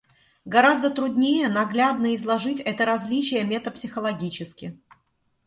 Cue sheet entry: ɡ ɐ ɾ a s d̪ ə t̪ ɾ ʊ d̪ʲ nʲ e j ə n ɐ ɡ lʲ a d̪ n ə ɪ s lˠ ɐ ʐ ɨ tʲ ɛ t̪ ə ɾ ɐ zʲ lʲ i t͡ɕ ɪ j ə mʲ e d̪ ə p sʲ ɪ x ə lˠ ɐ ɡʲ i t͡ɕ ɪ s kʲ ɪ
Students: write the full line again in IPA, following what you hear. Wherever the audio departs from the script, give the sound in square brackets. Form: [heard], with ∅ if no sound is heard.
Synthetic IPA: ɡ ɐ ɾ a [z] d̪ ə t̪ ɾ ʊ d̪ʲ nʲ e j ə n ɐ ɡ lʲ a d̪ n ə ɪ [z] lˠ ɐ ʐ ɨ tʲ ɛ t̪ ə ɾ ɐ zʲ lʲ i t͡ɕ ɪ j ə mʲ e [t̪] ə p sʲ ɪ x ə lˠ ɐ ɡʲ i t͡ɕ ɪ s kʲ ɪ

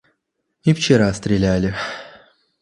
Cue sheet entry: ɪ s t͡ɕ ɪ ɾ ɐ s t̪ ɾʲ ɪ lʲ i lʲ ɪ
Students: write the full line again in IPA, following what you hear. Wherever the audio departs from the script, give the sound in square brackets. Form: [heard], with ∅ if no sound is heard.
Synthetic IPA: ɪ [f] t͡ɕ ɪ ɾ [a] s t̪ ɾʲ ɪ lʲ [æ] lʲ ɪ

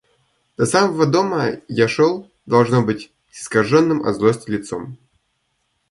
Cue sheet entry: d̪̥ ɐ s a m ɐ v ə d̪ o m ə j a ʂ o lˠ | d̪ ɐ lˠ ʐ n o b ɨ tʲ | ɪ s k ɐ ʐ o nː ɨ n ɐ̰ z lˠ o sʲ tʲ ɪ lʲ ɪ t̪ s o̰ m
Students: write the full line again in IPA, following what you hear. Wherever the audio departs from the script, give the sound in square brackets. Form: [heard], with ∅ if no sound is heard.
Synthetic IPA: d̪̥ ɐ s a m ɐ v ə d̪ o m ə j a ʂ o lˠ | d̪ ɐ lˠ ʐ n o b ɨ tʲ | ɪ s k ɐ ʐ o nː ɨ [m] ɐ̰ z lˠ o sʲ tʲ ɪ lʲ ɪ t̪ s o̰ m

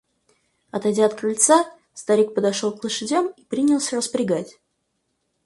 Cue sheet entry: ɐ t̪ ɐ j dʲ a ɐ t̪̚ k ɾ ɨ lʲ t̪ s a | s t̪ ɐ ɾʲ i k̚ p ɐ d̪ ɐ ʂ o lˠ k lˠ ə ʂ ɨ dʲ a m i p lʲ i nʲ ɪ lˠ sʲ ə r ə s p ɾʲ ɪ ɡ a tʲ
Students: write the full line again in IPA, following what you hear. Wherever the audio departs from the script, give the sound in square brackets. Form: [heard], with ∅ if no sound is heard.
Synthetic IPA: ɐ t̪ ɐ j dʲ a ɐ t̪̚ k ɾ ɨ lʲ t̪ s a | s t̪ ɐ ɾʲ i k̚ p [ə] d̪ ɐ ʂ o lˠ k lˠ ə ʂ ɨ dʲ a m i p [ɾʲ] i nʲ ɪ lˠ sʲ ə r ə s p ɾʲ ɪ ɡ a tʲ

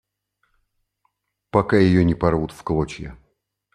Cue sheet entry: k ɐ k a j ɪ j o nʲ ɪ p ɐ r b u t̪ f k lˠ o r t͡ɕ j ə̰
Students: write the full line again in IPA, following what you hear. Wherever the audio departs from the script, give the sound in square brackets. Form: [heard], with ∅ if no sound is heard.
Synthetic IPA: [p] ɐ k a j ɪ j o nʲ ɪ p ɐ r [v] u t̪ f k lˠ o [∅] t͡ɕ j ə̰

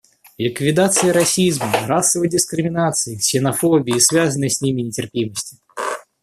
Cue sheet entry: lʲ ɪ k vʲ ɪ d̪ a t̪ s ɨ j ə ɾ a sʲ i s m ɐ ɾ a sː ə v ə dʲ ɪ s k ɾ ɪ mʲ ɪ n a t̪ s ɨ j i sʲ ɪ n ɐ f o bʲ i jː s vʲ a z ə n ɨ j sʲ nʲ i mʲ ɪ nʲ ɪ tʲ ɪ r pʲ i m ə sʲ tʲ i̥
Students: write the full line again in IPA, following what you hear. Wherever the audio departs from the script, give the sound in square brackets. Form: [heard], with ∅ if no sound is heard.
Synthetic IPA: lʲ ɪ k vʲ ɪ d̪ a t̪ s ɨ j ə ɾ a sʲ i [z] m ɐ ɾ a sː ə v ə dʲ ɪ s k ɾ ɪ mʲ ɪ n a t̪ s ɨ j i sʲ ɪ n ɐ f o bʲ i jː s vʲ a z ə n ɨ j sʲ nʲ i mʲ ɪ nʲ ɪ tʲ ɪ r pʲ i m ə sʲ tʲ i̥

